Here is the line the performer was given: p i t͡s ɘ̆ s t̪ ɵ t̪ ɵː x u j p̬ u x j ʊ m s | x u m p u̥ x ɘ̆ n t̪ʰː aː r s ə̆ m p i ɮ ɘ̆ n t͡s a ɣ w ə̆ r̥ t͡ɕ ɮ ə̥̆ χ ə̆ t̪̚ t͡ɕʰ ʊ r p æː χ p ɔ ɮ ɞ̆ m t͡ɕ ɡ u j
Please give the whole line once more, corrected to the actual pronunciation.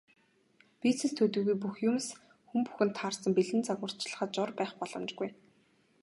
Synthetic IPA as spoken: p i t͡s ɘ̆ s t̪ʰ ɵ t̪ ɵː ɣ u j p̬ u x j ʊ m s | x u m p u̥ x ɘ̆ n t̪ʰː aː r s ə̆ m p i ɮ ɘ̆ n t͡s a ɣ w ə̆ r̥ t͡ɕ ɮ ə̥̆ χ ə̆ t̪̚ t͡ɕ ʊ r p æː χ p ɔ ɮ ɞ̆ m t͡ɕ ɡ u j